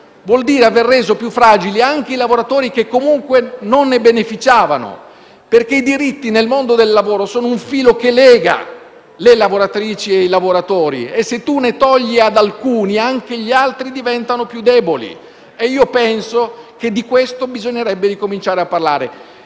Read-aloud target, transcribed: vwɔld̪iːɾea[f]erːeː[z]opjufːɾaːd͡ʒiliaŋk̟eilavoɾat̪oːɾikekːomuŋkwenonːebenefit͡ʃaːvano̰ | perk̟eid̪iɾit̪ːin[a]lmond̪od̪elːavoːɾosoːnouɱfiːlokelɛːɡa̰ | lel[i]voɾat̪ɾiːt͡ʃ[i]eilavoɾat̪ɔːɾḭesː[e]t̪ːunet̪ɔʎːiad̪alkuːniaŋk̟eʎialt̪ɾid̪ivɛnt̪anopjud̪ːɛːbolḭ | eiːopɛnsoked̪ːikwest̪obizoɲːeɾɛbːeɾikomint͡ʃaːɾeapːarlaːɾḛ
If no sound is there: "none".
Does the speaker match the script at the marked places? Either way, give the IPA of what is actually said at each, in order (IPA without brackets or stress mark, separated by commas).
v, z, e, a, i, e